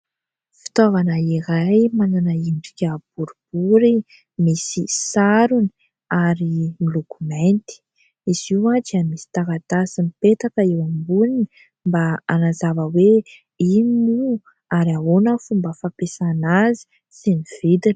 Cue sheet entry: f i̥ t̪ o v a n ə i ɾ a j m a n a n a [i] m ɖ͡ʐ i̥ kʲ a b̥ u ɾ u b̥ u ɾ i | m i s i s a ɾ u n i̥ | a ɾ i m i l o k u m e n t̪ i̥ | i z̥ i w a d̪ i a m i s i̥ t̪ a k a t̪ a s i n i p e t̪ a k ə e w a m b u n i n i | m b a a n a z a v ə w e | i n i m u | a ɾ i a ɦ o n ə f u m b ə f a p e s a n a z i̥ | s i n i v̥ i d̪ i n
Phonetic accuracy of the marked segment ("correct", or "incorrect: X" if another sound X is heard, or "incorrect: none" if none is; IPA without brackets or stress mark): correct